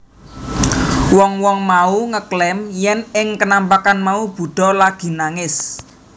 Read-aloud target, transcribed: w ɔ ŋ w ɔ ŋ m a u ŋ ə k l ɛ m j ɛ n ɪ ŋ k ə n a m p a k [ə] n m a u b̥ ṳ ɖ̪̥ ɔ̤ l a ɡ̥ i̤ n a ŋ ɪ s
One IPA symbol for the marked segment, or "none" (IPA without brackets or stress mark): a